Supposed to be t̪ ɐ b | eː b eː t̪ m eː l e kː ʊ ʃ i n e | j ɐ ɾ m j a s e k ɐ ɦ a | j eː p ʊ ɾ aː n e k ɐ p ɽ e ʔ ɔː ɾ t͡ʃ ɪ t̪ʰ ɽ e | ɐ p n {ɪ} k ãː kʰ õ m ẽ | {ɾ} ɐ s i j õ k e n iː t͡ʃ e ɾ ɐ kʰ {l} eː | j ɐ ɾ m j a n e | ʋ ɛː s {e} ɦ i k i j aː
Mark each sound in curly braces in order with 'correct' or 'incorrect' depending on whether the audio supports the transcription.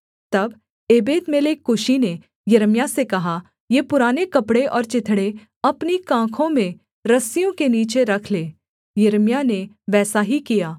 incorrect: i, correct, correct, incorrect: a

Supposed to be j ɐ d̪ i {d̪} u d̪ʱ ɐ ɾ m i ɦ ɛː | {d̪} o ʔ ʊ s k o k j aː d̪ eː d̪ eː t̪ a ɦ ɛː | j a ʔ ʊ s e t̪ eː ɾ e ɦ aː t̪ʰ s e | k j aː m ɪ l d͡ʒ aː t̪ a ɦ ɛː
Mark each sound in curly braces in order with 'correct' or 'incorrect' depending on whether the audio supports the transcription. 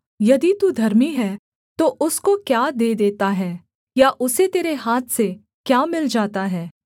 incorrect: t̪, incorrect: t̪

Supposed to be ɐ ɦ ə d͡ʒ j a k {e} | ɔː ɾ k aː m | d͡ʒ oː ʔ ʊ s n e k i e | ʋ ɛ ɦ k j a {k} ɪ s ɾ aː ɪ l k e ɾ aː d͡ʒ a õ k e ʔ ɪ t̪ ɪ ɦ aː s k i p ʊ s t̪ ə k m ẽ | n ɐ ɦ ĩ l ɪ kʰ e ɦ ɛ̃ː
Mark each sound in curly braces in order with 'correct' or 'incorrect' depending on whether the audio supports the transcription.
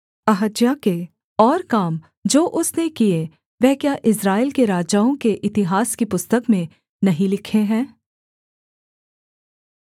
correct, incorrect: ʔ

